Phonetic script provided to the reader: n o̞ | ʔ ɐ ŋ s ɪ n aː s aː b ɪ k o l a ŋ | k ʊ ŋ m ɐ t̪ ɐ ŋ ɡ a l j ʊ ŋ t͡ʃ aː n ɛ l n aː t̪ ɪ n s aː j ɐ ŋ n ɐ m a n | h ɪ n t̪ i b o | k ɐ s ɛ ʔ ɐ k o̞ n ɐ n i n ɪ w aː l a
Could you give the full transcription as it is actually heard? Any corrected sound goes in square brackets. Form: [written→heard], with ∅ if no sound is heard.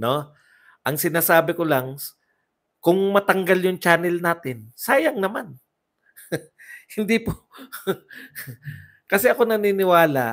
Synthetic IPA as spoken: n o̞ | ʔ ɐ ŋ s ɪ n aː s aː b ɪ k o l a ŋ | k ʊ ŋ m ɐ t̪ ɐ ŋ ɡ a l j ʊ ŋ t͡ʃ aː n ɛ l n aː t̪ ɪ n s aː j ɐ ŋ n ɐ m a n | h ɪ n [t̪→d̪] i [b→p] o | k ɐ s ɛ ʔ ɐ k o̞ n ɐ n i n ɪ w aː l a